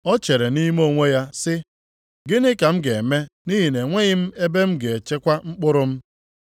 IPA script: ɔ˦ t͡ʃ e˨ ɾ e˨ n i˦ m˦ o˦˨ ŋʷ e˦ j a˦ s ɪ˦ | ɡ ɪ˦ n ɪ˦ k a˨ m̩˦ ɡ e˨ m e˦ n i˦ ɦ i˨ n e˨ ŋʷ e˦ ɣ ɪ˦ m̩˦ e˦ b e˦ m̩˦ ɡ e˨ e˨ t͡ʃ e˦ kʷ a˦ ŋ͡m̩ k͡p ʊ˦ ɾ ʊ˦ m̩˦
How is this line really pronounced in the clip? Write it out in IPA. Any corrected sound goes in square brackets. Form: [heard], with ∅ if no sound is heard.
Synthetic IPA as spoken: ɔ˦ t͡ʃ e˨ ɾ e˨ n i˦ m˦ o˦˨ ŋʷ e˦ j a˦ s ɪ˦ | ɡ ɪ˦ n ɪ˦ k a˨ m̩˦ ɡ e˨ m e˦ n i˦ ɦ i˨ n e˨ ŋʷ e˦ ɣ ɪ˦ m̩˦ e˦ b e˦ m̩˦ ɡ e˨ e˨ t͡ʃ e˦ kʷ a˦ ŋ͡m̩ k͡p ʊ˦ ɾ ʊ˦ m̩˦